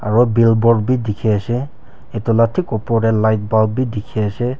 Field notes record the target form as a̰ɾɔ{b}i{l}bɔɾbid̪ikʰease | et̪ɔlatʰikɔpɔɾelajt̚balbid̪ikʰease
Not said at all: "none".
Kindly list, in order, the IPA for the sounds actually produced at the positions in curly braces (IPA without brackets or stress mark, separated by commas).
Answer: b, l